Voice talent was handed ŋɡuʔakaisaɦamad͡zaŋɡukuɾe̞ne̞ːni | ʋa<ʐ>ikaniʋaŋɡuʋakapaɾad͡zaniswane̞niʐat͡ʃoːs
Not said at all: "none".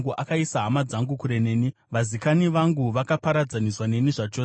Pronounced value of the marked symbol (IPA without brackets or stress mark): z